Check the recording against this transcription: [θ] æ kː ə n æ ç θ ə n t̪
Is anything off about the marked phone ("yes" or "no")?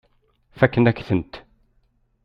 yes